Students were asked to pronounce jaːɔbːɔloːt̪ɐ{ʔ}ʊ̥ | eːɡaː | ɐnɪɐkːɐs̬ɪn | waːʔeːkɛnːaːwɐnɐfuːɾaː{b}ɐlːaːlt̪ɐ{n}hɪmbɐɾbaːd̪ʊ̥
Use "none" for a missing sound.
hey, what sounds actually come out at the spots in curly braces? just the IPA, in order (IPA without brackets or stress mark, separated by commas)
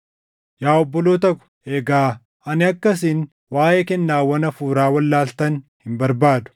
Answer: k, w, n